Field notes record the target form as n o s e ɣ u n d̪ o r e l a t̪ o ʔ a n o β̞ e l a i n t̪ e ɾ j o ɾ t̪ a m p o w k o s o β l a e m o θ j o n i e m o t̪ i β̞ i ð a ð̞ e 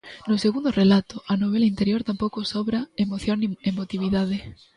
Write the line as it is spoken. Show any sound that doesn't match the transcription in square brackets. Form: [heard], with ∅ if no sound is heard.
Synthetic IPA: n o s e ɣ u n d̪ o r e l a t̪ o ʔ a n o β̞ e l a i n t̪ e ɾ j o ɾ t̪ a m p o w k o s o β [ɾ] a e m o θ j o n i e m o t̪ i β̞ i ð a ð̞ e